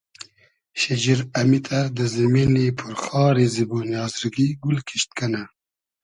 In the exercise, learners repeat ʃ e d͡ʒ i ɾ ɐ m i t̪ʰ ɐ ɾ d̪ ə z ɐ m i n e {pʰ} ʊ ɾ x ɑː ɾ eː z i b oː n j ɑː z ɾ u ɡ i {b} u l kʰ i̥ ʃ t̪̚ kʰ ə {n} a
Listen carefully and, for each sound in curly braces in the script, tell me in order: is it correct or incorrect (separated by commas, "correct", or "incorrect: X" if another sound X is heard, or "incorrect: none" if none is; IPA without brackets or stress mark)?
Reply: correct, incorrect: ɡ, correct